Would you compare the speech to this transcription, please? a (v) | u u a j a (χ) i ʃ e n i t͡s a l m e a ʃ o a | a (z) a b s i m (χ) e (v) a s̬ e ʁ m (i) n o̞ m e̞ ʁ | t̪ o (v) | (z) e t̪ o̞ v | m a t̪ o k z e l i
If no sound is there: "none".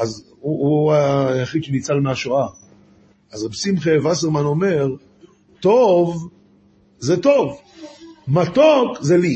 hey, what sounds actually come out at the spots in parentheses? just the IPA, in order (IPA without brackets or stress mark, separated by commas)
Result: z, χ, z, χ, v, a, v, z